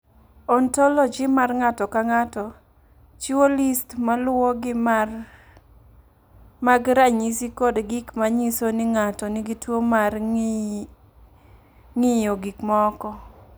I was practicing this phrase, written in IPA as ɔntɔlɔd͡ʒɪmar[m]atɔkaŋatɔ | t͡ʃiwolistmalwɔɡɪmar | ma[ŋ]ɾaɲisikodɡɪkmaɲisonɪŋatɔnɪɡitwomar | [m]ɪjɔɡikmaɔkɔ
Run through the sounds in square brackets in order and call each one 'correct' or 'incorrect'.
incorrect: ŋ, incorrect: ɡ, incorrect: ŋ

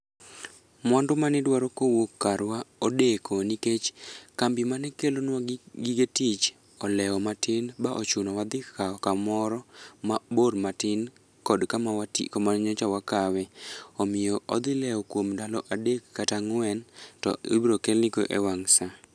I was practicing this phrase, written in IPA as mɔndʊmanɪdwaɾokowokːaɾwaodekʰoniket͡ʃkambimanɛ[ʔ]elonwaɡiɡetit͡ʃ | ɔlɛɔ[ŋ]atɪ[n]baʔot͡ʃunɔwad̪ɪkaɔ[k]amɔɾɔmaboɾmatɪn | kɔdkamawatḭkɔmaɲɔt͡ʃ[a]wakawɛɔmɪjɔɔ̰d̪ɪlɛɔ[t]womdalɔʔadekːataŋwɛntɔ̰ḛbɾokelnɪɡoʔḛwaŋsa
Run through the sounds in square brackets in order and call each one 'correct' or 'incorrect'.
incorrect: k, incorrect: m, correct, correct, correct, incorrect: k

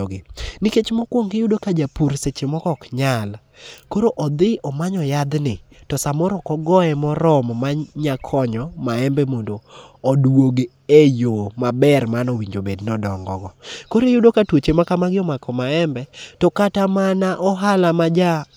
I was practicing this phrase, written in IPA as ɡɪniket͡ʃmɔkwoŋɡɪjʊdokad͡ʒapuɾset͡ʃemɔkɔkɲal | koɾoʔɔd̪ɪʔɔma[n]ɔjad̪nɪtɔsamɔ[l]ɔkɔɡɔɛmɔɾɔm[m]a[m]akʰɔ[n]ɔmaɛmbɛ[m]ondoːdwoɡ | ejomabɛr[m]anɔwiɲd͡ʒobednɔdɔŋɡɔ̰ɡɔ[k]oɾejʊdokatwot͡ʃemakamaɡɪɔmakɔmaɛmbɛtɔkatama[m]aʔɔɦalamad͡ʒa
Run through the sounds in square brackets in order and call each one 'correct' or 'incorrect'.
incorrect: ɲ, incorrect: ɾ, correct, incorrect: ɲ, incorrect: ɲ, correct, correct, correct, incorrect: n

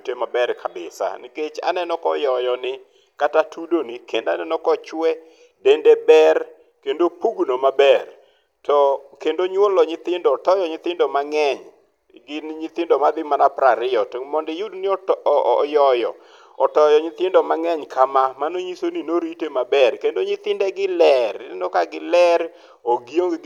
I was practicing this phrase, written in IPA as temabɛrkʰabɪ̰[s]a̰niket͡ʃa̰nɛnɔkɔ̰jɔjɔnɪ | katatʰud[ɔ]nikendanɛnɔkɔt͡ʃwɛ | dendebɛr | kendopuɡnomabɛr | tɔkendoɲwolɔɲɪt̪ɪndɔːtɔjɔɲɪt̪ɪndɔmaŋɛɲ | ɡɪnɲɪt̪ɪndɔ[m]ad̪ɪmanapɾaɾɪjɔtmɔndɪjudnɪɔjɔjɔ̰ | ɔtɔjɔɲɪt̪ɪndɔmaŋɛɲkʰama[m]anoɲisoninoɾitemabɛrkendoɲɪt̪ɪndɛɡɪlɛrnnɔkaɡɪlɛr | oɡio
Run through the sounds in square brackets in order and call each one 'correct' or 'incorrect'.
correct, incorrect: o, correct, correct

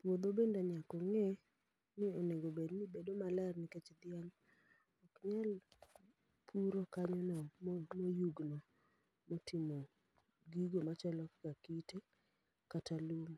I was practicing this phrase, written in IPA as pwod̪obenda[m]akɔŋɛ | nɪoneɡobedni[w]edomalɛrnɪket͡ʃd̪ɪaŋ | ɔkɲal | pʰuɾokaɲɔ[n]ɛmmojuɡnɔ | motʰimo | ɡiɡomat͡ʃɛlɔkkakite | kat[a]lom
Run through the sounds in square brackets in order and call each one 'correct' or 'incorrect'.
incorrect: ɲ, incorrect: b, correct, correct

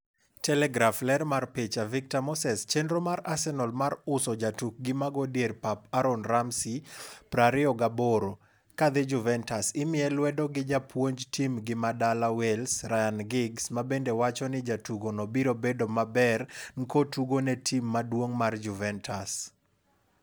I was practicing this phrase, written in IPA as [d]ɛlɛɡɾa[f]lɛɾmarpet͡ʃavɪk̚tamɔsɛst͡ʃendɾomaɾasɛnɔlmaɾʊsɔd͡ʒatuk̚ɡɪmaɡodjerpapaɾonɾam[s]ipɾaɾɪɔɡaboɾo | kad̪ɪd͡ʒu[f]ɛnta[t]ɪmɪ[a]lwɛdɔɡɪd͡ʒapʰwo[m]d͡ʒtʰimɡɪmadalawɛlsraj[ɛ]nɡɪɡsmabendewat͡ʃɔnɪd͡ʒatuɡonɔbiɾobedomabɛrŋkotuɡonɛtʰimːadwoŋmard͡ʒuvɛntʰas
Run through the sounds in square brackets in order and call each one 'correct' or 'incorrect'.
incorrect: t, correct, correct, incorrect: v, incorrect: s, incorrect: ɛ, incorrect: ɲ, incorrect: a

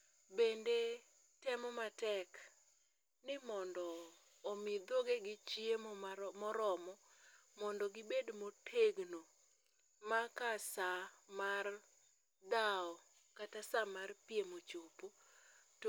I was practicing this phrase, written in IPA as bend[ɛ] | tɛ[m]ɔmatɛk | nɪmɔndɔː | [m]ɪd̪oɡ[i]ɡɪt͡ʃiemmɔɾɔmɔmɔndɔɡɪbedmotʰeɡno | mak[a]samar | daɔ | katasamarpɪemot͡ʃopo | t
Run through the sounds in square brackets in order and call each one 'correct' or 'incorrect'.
incorrect: e, correct, correct, incorrect: e, correct

